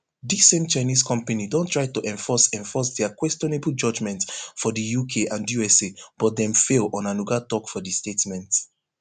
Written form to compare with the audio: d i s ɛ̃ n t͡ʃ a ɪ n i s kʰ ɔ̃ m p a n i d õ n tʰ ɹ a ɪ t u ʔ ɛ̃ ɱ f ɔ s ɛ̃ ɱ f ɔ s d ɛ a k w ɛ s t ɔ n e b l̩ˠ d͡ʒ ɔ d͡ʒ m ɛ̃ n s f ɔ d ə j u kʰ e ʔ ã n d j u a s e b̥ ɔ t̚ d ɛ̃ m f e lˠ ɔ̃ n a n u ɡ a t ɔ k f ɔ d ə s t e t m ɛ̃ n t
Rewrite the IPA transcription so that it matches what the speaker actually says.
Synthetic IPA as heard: d i s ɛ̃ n t͡ʃ a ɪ n i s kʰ ɔ̃ m p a n i d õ n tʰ ɹ a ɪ t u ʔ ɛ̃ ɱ f ɔ s ɛ̃ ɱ f ɔ s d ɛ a k w ɛ s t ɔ n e b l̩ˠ d͡ʒ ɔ d͡ʒ m ɛ̃ n t f ɔ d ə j u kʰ e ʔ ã n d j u ɛ s e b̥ ɔ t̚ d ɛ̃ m f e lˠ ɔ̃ n a n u ɡ a t ɔ k f ɔ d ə s t e t m ɛ̃ n t